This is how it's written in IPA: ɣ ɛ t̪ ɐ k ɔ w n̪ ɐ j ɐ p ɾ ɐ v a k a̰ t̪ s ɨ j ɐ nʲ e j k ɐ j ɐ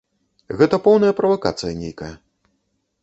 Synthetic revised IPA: ɣ ɛ t̪ ɐ p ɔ w n̪ ɐ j ɐ p ɾ ɐ v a k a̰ t̪ s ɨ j ɐ nʲ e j k ɐ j ɐ

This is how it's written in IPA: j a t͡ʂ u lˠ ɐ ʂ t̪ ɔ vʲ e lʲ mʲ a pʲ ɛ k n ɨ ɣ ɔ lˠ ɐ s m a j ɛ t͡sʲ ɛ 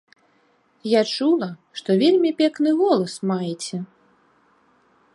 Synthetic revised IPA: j a t͡ʂ u lˠ ɐ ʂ t̪ ɔ vʲ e lʲ mʲ i pʲ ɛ k n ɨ ɣ ɔ lˠ ɐ s m a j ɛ t͡sʲ ɛ

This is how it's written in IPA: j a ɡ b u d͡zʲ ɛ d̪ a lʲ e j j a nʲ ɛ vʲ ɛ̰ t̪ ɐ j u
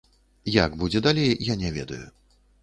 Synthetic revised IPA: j a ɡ b u d͡zʲ ɛ d̪ a lʲ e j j a nʲ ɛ vʲ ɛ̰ d̪ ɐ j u

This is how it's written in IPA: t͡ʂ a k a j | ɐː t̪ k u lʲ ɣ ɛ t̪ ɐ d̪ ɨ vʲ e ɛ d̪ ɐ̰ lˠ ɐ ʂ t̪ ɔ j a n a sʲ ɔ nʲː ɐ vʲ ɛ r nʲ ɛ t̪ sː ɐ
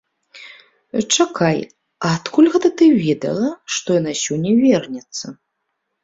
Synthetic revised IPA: t͡ʂ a k a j | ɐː t̪ k u lʲ ɣ ɛ t̪ ɐ t̪ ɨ vʲ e ɛ d̪ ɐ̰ lˠ ɐ ʂ t̪ ɔ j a n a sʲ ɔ nʲː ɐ vʲ ɛ r nʲ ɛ t̪ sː ɐ

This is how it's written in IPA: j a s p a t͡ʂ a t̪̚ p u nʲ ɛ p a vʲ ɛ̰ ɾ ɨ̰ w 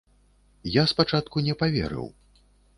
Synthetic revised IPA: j a s p a t͡ʂ a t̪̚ k u nʲ ɛ p a vʲ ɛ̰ ɾ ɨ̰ w

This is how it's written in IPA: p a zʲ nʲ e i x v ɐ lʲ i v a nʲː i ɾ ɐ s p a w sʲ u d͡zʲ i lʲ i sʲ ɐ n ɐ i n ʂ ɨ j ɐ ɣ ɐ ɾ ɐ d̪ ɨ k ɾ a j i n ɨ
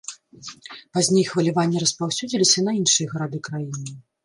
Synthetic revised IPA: p a zʲ nʲ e j x v ɐ lʲ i v a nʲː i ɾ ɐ s p a w sʲ u d͡zʲ i lʲ i sʲ ɐ n ɐ i n ʂ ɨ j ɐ ɣ ɐ ɾ a d̪ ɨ k ɾ a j i n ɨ

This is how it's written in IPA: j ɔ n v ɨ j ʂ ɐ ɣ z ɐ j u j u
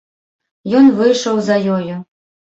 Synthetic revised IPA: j ɔ n v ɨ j ʂ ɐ w z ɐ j ɔ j u

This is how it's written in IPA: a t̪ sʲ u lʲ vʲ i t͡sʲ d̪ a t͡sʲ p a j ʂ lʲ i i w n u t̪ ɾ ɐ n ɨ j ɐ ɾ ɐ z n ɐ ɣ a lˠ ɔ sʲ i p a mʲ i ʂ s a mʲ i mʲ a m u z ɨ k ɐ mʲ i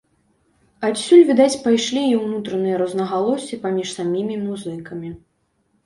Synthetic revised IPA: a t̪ sʲ u lʲ vʲ i d̪ a t͡sʲ p a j ʂ lʲ i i w n u t̪ ɾ ɐ n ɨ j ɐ ɾ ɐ z n ɐ ɣ a lˠ ɔ sʲ i p a mʲ i ʂ s a mʲ i mʲ i m u z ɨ k ɐ mʲ i

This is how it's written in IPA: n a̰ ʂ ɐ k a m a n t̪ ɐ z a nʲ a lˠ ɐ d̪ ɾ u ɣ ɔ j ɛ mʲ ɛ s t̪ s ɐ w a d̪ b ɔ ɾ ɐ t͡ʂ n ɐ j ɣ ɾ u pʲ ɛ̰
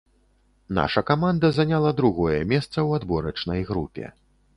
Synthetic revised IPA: n a̰ ʂ ɐ k a m a n d̪ ɐ z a nʲ a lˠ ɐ d̪ ɾ u ɣ ɔ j ɛ mʲ ɛ s t̪ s ɐ w a d̪ b ɔ ɾ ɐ t͡ʂ n ɐ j ɣ ɾ u pʲ ɛ̰

